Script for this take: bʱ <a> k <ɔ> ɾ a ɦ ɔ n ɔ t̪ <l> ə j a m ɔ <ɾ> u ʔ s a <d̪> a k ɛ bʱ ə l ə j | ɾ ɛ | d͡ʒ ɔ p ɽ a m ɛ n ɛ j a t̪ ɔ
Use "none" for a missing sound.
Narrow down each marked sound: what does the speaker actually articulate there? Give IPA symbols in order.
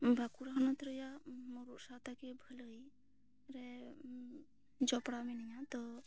a, u, ɾ, ɾ, t̪

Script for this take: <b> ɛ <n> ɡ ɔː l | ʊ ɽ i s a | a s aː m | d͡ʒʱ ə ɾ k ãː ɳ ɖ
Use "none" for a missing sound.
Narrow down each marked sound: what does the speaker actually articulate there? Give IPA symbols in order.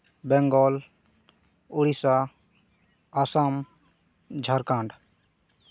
b, ŋ

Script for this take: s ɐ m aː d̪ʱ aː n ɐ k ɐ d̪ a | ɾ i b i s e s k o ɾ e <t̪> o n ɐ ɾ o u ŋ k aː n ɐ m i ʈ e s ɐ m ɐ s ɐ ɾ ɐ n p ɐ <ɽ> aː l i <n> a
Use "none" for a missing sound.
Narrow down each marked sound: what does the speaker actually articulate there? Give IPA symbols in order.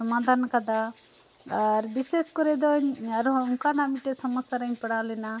d̪, ɽ, n

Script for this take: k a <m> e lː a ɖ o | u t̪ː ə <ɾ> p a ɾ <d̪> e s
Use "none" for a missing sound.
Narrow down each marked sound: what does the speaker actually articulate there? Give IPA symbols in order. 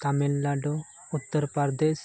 m, ɾ, d̪

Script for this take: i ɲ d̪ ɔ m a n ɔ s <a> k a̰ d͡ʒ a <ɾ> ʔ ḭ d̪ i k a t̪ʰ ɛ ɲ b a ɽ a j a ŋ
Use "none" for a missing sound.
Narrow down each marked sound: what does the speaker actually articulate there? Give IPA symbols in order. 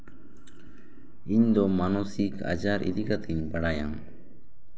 i, ɾ

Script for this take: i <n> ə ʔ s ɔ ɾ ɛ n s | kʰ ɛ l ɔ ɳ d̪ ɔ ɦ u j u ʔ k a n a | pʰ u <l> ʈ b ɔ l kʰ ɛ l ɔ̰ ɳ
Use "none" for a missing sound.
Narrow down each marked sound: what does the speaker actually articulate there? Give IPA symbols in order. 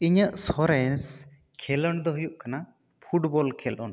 ɲ, none

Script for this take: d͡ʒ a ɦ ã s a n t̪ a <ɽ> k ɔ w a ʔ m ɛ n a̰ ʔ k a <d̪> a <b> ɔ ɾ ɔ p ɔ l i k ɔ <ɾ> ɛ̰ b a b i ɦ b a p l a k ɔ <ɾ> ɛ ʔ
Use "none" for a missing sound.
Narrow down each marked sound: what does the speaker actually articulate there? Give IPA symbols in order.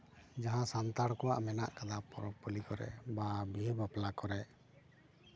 ɽ, d̪, p, ɾ, ɾ

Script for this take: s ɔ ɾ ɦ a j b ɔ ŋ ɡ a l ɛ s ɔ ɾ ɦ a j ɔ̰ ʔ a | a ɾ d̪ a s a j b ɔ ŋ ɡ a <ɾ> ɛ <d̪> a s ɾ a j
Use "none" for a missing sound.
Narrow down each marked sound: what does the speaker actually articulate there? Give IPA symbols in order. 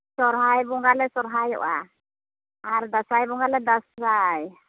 l, d̪

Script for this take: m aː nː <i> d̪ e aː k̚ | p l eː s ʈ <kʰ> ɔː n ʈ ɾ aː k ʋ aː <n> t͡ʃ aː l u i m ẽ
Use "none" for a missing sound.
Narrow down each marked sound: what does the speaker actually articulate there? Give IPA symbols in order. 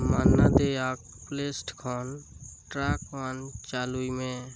a, kʰ, n

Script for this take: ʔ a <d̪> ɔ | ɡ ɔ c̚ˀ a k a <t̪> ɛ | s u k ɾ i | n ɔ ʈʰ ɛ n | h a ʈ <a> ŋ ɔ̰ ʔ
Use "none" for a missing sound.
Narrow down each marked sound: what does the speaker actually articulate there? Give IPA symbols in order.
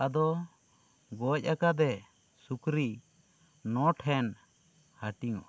d̪, d̪, i

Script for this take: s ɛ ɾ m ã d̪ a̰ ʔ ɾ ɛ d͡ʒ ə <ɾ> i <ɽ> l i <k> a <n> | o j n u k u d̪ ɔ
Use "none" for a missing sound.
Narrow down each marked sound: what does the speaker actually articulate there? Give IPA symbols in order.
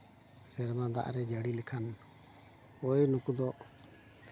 ɽ, none, kʰ, n

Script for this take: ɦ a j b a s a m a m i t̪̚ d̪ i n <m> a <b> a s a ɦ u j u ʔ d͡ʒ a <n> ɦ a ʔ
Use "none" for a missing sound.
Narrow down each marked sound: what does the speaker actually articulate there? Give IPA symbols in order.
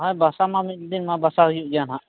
m, b, n

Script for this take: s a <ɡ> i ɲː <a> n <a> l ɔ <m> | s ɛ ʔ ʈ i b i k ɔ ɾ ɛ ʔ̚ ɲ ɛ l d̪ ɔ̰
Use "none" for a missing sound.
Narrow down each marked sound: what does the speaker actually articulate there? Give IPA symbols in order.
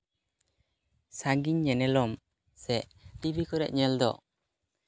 ɡ, ɛ, ɛ, m

